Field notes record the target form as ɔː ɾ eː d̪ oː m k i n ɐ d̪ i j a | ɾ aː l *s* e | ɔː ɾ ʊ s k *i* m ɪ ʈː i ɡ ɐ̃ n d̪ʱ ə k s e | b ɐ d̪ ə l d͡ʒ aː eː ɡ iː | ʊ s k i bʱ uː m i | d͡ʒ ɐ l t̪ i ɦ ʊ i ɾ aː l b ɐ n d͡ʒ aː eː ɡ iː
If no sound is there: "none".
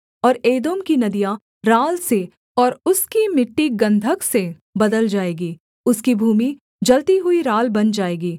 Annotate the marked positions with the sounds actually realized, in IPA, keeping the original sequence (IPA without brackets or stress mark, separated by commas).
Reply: s, i